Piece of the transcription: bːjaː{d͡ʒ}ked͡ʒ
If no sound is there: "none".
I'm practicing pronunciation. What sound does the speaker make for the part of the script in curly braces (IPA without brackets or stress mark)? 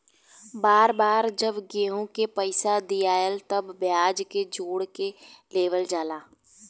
d͡ʒ